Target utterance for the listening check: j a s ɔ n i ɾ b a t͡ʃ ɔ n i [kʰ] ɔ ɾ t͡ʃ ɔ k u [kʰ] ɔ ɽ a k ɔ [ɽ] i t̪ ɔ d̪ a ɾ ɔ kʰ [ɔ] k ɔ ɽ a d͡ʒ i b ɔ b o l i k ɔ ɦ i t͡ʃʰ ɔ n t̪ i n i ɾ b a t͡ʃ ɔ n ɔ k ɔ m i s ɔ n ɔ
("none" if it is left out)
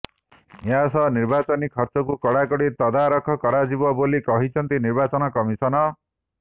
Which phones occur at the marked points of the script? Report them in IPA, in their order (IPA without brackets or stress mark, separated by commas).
kʰ, k, ɽ, ɔ